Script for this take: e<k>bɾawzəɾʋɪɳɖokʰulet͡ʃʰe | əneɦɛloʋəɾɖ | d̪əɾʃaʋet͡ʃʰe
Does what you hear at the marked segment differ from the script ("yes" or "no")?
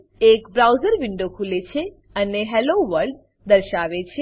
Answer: no